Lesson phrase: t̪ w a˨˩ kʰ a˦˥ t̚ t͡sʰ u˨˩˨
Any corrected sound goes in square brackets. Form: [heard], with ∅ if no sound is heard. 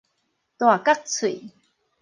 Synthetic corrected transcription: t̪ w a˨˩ [k] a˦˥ [k̚] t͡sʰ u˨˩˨